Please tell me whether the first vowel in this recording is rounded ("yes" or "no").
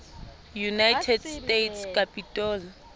yes